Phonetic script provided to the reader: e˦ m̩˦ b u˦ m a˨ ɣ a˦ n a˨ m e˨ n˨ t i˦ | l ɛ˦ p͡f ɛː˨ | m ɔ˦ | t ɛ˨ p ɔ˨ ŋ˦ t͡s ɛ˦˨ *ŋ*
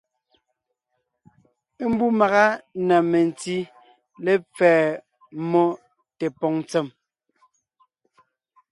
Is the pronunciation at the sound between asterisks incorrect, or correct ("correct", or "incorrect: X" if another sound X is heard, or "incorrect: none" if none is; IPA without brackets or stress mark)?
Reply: incorrect: m